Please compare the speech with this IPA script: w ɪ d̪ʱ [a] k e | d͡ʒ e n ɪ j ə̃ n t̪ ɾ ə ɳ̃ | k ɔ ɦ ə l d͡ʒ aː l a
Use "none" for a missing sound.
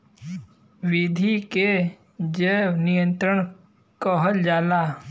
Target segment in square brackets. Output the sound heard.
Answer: i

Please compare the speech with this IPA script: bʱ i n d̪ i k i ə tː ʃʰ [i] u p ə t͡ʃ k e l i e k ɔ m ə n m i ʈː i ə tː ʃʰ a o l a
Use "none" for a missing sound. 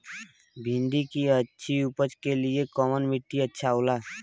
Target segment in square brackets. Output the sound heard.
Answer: i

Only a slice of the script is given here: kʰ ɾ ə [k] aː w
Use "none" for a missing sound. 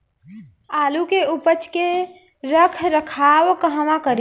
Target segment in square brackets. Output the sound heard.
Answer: kʰ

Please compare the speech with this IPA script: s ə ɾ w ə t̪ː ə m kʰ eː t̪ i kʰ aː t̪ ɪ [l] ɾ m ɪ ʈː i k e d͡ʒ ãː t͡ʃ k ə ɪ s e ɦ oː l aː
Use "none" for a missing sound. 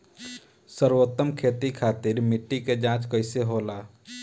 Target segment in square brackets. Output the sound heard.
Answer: none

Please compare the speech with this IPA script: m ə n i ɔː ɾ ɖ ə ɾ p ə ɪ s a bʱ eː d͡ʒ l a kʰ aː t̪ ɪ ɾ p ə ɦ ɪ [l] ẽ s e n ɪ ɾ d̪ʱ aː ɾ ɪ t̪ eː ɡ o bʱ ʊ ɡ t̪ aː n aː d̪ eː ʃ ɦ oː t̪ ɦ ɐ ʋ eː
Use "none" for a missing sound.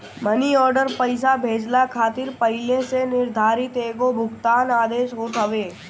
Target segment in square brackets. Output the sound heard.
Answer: l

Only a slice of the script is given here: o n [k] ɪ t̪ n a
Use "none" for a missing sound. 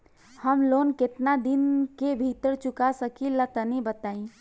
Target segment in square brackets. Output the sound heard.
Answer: k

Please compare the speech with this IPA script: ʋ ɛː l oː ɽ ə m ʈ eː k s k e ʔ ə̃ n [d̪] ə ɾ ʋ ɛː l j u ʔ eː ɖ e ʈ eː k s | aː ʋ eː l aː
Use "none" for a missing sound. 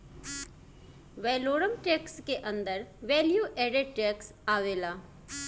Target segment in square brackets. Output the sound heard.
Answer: d̪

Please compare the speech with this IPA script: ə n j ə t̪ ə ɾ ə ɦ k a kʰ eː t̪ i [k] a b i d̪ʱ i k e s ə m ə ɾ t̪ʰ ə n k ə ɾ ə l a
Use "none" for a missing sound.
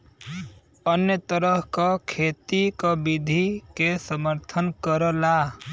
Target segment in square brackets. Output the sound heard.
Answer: k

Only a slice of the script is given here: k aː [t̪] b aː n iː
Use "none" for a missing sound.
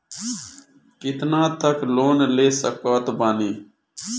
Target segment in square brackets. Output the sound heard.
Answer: t̪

